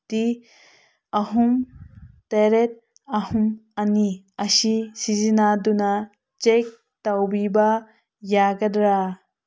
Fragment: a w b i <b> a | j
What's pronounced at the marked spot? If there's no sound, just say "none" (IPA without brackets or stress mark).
b